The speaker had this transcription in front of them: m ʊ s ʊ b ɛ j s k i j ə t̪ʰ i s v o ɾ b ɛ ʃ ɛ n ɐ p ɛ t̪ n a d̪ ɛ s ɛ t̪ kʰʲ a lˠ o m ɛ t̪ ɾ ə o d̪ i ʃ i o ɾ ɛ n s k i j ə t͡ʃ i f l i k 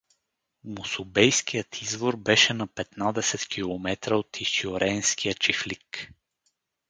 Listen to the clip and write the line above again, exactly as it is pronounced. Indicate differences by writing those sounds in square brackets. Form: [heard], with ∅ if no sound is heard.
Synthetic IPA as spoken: m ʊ s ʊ b ɛ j s k i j ə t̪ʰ i [z] v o ɾ b ɛ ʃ ɛ n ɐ p ɛ t̪ n a d̪ ɛ s ɛ t̪ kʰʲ [i] lˠ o m ɛ t̪ ɾ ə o [t̪] i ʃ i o ɾ ɛ n s k i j ə t͡ʃ i f l i k